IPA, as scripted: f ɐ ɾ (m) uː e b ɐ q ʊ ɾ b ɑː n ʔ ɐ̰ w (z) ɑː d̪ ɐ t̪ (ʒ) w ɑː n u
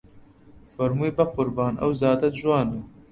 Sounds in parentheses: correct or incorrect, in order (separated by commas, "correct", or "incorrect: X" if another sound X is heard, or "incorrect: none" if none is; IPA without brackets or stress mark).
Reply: correct, correct, correct